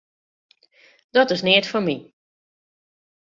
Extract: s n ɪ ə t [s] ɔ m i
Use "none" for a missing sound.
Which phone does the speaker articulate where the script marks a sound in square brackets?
f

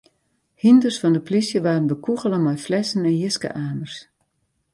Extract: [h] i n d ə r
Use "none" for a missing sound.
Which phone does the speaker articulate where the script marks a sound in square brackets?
h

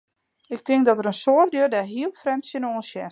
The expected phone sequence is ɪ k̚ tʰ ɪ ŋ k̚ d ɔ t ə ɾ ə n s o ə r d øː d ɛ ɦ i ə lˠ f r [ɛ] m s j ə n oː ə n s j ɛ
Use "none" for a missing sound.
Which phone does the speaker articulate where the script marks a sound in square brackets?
ɛ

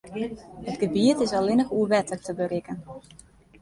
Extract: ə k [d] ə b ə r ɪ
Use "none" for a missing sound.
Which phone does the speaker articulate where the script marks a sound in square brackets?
t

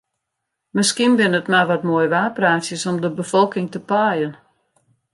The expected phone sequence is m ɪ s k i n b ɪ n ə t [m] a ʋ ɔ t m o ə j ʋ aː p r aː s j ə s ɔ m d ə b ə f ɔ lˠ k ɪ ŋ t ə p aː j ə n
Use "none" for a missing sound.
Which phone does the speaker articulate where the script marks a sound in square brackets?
m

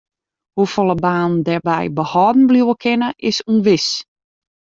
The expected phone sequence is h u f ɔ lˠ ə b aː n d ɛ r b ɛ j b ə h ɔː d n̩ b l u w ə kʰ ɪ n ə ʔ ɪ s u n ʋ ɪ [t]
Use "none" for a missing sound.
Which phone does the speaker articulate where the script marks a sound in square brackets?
s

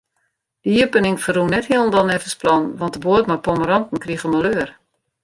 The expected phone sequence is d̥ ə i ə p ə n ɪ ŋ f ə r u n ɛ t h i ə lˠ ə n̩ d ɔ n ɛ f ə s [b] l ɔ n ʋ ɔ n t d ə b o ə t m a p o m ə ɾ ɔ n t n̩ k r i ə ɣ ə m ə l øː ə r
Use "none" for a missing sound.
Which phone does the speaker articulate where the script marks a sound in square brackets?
p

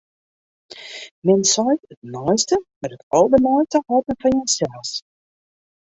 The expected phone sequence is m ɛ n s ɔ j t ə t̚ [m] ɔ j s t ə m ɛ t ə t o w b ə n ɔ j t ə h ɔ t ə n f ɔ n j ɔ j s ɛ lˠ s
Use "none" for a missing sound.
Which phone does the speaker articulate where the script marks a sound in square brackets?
n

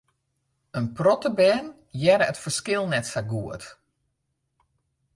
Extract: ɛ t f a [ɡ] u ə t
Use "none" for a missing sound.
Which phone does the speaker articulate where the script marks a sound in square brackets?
ɡ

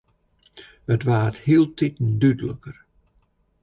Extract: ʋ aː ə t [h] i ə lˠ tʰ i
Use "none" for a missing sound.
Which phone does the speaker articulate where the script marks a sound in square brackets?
h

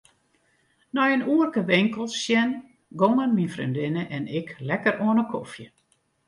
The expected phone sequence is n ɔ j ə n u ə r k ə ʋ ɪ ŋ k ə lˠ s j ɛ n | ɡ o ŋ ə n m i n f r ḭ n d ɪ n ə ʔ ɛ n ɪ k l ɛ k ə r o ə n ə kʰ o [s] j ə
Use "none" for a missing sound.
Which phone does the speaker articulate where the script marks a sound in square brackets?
f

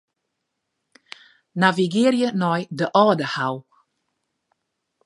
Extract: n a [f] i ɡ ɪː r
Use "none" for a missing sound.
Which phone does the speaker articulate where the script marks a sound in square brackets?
v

